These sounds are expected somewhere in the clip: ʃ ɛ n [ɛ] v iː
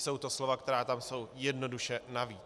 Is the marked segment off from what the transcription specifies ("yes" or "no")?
yes